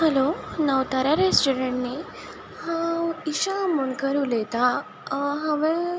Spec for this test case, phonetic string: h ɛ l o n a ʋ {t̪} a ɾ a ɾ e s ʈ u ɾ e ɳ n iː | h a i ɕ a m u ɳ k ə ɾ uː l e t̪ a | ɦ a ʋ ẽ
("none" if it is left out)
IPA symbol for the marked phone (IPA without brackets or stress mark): t̪